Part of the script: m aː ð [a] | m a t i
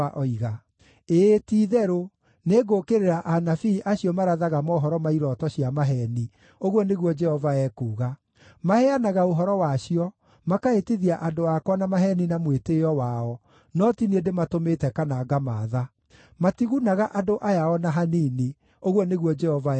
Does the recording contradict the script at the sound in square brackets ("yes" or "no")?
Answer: no